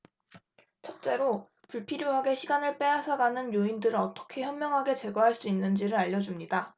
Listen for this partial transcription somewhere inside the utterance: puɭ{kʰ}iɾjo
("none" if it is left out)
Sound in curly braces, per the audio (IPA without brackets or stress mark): pʰ